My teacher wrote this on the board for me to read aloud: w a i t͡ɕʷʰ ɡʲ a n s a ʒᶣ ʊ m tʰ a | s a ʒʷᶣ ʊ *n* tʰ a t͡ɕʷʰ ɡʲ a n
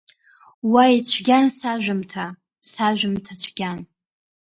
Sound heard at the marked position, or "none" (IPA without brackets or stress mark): m